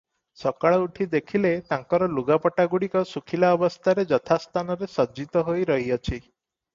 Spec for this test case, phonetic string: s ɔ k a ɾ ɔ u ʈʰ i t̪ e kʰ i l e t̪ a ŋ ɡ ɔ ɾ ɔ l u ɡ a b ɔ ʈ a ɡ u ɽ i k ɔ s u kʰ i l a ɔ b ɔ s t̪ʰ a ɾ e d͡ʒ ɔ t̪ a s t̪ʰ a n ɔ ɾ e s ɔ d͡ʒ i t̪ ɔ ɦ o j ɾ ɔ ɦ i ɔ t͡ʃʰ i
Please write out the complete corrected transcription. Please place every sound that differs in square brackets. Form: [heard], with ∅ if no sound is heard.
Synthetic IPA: s ɔ k a [ɭ] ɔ u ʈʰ i [d̪] e kʰ i l e t̪ a ŋ [k] ɔ ɾ ɔ l u ɡ a [p] ɔ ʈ a ɡ u ɽ i k ɔ s u kʰ i l a ɔ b ɔ s t̪ʰ a ɾ e d͡ʒ ɔ [t̪ʰ] a s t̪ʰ a n ɔ ɾ e s ɔ d͡ʒ i t̪ ɔ ɦ o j ɾ ɔ ɦ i ɔ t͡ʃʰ i